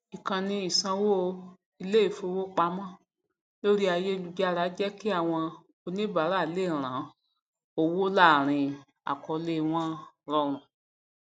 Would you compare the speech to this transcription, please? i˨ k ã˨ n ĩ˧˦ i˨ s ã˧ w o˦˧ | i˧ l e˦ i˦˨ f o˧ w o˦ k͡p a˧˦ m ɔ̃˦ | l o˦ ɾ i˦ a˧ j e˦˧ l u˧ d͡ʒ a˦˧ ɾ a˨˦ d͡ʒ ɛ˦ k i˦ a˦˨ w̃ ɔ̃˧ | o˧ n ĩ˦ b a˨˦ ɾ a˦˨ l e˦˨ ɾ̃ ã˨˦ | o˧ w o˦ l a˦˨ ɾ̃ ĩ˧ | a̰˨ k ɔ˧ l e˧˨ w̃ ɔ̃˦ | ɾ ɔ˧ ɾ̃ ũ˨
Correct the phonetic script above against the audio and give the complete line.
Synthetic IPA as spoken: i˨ k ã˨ n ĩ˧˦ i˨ s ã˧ w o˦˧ | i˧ l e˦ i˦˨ f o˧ w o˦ k͡p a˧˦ m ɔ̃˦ | l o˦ ɾ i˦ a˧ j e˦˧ l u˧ d͡ʒ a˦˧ ɾ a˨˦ d͡ʒ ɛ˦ k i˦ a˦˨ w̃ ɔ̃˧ | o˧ n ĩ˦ b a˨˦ ɾ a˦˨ l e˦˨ ɾ̃ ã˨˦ | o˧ w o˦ l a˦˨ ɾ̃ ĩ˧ | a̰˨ k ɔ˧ l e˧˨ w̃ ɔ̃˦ | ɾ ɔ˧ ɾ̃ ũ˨